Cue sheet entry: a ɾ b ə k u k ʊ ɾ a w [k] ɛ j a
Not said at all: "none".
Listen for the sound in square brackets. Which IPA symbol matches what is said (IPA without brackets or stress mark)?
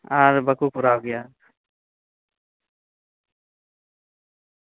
ɡ